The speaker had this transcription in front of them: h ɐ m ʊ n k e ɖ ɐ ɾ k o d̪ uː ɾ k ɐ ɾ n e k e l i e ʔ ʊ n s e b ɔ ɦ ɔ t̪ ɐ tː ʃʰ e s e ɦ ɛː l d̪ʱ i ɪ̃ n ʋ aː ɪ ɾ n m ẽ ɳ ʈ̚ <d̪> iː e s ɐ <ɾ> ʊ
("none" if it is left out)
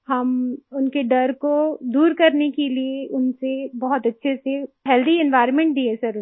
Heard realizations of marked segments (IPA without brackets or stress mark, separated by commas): d̪, ɾ